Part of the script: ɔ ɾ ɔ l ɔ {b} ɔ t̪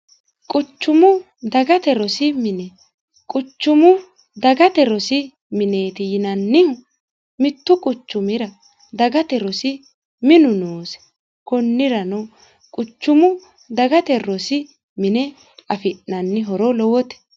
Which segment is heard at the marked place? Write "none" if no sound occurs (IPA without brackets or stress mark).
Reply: w